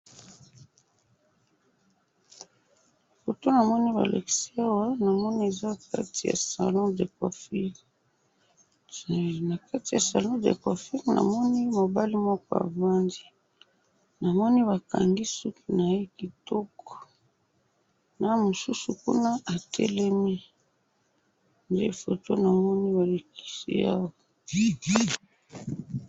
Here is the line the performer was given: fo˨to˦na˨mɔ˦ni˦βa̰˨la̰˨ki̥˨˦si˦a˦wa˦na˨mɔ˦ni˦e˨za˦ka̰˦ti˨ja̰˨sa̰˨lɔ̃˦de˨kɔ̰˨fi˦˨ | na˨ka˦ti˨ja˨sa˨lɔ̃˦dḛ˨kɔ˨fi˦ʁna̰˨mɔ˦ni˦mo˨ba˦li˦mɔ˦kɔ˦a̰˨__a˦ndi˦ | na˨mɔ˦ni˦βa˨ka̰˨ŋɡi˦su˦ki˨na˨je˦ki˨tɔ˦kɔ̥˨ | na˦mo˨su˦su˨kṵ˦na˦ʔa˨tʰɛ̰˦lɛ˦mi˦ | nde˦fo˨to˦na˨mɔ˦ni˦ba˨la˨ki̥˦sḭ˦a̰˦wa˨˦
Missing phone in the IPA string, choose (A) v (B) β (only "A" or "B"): A